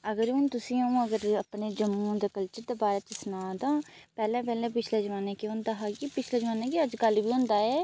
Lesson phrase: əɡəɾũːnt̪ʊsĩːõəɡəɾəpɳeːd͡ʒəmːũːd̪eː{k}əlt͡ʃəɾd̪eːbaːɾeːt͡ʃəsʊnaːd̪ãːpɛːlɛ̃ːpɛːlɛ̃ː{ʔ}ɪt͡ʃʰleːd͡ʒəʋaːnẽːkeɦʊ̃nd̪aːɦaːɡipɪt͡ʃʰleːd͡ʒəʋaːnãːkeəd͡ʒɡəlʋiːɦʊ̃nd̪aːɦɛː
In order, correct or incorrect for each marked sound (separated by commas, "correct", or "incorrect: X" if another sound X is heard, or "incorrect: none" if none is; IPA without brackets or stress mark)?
correct, incorrect: p